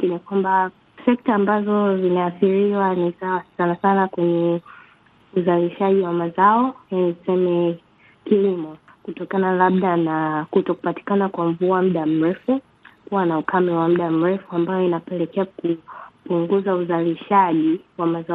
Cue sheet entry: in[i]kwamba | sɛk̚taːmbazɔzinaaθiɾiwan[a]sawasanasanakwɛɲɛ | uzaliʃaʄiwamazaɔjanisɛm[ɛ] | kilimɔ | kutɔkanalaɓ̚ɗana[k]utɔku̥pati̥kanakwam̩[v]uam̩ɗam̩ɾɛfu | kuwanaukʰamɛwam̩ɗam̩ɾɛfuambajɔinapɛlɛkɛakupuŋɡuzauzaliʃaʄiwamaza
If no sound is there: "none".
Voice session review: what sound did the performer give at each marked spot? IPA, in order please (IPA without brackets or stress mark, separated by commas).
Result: i, i, ɛ, k, v